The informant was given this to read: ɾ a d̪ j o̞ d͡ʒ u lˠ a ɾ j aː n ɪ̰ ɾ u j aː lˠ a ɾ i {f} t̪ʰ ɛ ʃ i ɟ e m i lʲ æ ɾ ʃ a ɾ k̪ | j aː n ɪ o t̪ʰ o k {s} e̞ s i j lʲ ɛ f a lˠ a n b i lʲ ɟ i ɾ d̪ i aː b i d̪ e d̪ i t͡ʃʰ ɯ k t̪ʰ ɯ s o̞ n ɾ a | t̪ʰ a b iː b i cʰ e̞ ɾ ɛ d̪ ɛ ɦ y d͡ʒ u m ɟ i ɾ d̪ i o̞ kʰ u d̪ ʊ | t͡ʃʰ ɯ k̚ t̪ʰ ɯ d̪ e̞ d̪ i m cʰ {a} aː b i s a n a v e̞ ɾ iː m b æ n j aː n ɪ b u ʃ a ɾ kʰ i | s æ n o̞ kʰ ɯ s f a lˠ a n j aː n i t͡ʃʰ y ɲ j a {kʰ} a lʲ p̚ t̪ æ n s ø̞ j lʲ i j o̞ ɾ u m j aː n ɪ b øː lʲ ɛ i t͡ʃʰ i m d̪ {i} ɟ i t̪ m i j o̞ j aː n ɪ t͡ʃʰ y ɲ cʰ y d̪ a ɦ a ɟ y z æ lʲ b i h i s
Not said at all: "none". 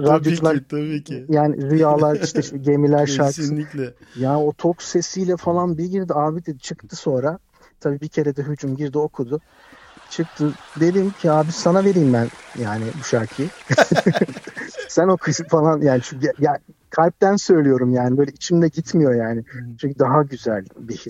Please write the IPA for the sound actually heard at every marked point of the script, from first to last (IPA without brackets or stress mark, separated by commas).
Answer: ʃ, s, i, kʰ, ɛ